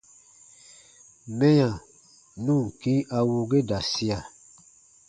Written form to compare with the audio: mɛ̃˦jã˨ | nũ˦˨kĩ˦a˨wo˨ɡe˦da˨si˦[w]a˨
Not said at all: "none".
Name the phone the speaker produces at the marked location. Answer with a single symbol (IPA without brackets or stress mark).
none